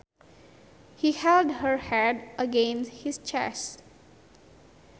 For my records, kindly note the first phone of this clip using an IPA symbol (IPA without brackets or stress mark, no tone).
h